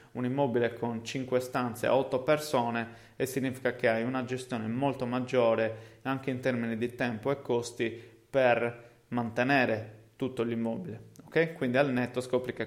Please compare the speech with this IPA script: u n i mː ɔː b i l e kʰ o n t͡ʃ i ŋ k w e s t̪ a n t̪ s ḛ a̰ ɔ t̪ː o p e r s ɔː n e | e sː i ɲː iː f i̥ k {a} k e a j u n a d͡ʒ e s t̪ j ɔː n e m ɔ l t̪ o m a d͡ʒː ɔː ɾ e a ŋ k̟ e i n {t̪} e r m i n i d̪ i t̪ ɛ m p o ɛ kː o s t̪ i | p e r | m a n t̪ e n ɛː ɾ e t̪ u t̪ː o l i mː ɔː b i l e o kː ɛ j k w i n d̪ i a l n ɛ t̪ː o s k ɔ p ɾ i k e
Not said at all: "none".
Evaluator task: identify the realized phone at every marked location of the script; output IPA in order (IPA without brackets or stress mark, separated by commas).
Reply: a, t̪